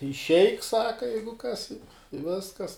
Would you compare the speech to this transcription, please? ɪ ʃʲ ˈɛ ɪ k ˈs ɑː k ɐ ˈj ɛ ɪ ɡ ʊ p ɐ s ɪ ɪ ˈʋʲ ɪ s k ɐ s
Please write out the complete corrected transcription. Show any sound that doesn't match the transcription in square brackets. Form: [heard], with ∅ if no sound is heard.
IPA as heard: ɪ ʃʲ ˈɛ ɪ k ˈs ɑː k ɐ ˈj ɛ ɪ ɡ ʊ [k] ɐ s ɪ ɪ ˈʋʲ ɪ s k ɐ s